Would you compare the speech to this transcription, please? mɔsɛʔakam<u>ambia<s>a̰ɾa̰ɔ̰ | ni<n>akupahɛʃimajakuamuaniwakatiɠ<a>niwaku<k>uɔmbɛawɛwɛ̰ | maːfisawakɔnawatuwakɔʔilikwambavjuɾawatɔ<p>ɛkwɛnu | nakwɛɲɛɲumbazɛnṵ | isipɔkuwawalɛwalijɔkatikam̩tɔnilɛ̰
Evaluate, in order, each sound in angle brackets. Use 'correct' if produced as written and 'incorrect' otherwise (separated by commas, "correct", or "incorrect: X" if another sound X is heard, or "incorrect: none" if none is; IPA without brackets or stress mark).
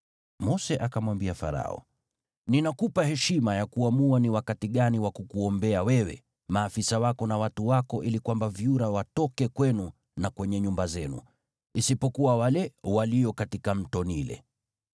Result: incorrect: w, incorrect: f, correct, correct, correct, incorrect: k